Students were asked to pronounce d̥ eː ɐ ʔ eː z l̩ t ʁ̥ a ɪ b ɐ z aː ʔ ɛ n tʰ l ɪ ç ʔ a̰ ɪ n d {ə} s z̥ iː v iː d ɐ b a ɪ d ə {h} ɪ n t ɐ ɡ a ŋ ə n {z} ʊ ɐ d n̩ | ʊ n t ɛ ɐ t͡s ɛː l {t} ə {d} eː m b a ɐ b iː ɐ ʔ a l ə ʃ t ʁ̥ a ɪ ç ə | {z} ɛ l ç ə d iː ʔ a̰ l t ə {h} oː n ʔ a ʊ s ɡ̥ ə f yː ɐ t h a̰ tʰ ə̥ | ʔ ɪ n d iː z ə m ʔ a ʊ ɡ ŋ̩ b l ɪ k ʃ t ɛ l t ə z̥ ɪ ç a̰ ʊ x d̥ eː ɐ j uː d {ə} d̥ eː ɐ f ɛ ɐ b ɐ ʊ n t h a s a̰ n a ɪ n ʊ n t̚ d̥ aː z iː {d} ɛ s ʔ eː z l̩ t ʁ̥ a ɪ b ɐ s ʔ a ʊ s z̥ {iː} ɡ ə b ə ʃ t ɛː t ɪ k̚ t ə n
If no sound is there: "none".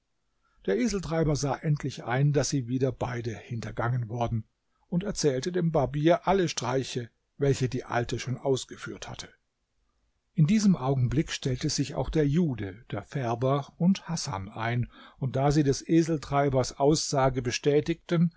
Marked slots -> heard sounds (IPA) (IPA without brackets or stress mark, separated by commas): a, h, v, t, d, v, ʃ, ə, d, aː